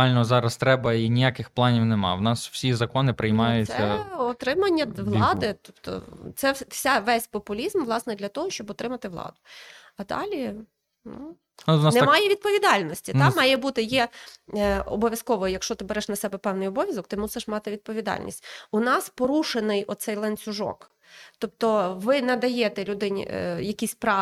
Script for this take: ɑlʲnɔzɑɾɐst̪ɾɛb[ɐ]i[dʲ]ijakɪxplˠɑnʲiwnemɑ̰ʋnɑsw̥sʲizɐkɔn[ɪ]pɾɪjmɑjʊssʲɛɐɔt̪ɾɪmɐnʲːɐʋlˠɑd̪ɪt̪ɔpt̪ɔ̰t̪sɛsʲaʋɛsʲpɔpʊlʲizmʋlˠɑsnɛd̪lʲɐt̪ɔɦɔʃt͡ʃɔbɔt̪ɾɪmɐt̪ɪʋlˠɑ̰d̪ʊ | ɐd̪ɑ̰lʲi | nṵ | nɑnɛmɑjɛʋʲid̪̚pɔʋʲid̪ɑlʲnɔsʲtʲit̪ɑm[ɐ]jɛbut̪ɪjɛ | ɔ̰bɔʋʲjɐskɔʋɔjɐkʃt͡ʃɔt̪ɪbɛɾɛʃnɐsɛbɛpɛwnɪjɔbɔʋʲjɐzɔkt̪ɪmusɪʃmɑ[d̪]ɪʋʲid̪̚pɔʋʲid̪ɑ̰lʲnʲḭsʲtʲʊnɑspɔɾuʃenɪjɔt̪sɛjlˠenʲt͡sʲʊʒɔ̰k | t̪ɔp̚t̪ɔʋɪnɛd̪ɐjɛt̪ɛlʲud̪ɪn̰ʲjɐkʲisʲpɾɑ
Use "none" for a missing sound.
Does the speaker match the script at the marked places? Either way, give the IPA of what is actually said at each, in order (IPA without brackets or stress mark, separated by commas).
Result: ɐ, nʲ, ɪ, ɑ, t̪